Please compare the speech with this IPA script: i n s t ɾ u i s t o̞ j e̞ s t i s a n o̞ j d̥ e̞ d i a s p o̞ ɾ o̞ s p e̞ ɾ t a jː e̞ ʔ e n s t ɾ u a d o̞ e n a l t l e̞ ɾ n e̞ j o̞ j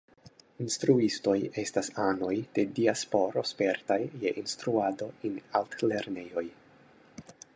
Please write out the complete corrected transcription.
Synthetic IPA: i n s t ɾ u i s t o̞ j e̞ s t a s a n o̞ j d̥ e̞ d i a s p o̞ ɾ o̞ s p e̞ ɾ t a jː e̞ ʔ i n s t ɾ u a d o̞ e n a l t l e̞ ɾ n e̞ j o̞ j